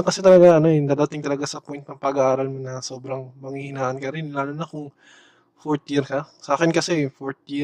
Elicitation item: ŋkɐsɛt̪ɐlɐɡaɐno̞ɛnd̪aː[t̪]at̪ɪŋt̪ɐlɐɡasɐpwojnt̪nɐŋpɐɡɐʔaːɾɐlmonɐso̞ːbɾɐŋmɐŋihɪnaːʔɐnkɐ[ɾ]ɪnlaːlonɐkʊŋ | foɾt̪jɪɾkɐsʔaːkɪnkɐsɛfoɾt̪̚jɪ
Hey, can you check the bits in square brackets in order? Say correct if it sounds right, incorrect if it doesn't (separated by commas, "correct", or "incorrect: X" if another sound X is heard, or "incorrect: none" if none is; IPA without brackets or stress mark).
incorrect: d̪, correct